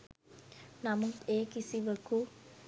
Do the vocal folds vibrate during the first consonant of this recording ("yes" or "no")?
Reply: yes